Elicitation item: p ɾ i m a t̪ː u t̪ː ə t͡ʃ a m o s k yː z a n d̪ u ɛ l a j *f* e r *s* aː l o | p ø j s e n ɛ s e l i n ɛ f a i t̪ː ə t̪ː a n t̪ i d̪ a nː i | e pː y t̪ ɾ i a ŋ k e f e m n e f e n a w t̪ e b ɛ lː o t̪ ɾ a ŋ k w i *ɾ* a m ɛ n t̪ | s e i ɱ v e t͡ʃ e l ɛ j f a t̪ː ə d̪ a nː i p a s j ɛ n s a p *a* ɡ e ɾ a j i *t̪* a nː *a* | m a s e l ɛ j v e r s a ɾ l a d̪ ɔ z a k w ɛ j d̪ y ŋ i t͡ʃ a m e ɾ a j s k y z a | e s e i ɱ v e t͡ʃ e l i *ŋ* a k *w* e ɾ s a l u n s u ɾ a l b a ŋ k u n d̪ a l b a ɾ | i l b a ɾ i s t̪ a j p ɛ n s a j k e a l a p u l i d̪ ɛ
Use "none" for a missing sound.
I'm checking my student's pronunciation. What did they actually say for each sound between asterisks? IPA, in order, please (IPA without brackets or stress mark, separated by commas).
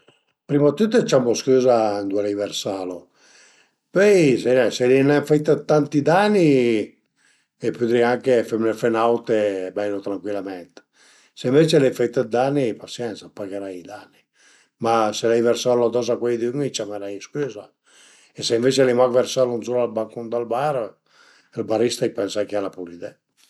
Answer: v, s, l, a, d̪, i, m, v